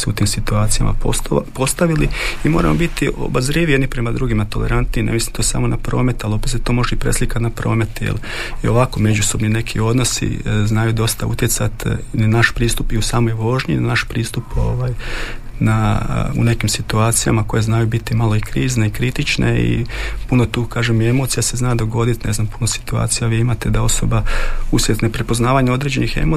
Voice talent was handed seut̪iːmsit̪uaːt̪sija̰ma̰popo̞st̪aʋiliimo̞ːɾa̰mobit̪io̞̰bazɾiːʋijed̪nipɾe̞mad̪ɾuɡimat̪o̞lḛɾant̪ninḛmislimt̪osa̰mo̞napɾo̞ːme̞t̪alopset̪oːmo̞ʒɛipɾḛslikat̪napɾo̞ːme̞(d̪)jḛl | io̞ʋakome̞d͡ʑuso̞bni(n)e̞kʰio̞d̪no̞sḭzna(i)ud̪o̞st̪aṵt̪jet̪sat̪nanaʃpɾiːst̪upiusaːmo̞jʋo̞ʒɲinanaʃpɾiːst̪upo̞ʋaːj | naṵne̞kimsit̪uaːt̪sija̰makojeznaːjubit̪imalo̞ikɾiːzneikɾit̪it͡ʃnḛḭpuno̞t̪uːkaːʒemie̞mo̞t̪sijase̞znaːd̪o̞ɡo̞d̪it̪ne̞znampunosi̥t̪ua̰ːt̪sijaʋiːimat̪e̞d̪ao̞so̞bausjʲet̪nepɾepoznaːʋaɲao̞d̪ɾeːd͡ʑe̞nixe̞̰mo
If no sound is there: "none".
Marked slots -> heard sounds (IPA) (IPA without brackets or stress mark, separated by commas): t̪, n, j